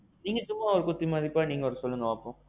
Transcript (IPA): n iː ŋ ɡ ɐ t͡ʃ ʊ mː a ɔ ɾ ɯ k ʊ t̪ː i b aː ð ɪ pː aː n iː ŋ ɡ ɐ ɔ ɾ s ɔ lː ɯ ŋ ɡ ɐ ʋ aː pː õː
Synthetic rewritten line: n iː ŋ ɡ ɐ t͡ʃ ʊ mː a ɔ ɾ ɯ k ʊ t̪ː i m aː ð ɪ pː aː n iː ŋ ɡ ɐ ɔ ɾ s ɔ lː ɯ ŋ ɡ ɐ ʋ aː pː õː